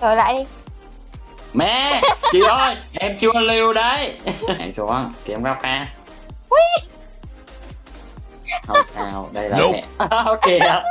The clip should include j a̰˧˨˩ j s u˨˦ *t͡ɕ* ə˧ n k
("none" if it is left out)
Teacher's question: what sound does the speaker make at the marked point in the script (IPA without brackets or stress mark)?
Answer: none